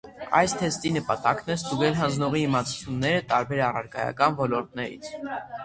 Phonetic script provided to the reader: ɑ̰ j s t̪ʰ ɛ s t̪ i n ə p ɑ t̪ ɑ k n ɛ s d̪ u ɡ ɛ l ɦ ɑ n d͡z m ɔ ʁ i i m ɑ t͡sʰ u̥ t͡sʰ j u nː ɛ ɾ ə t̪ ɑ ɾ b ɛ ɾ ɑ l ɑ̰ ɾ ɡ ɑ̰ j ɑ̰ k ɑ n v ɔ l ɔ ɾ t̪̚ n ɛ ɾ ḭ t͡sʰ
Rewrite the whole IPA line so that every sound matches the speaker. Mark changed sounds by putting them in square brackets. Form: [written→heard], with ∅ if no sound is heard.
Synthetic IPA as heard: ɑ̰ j s t̪ʰ ɛ s t̪ i n ə p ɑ t̪ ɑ k n ɛ s [d̪→t̪] u ɡ ɛ l ɦ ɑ n d͡z [m→n] ɔ ʁ i i m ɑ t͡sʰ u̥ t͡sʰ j u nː ɛ ɾ ə t̪ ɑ ɾ b ɛ ɾ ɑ [l→r] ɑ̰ ɾ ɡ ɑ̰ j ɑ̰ k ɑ n v ɔ l ɔ ɾ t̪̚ n ɛ ɾ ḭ t͡sʰ